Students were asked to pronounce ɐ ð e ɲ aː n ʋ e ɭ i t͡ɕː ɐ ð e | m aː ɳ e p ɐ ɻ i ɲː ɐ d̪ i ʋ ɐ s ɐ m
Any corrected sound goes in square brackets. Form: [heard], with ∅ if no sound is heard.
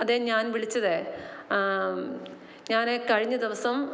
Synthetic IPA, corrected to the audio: ɐ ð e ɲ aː n ʋ [i] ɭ i t͡ɕː ɐ ð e | [ɲ] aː [n] e [k] ɐ ɻ i ɲː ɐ d̪ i ʋ ɐ s ɐ m